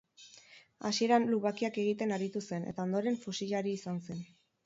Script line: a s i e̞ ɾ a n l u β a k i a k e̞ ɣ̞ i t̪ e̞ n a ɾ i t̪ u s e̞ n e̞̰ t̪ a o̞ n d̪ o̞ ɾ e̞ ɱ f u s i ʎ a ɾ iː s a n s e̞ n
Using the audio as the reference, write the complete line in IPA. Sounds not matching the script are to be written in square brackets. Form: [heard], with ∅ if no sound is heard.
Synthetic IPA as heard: a s i e̞ ɾ a n l u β a k i a k e̞ ɣ̞ i t̪ e̞ n a ɾ i t̪ u s e̞ n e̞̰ t̪ a o̞ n d̪ o̞ ɾ e̞ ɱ f u s i ʎ a ɾ iː s a n s e̞ n